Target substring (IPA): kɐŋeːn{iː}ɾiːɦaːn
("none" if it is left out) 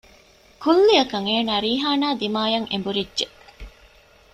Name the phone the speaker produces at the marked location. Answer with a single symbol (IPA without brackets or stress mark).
aː